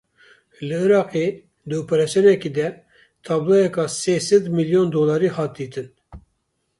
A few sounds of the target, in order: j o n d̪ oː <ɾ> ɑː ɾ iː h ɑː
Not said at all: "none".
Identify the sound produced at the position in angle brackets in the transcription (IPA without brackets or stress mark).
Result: l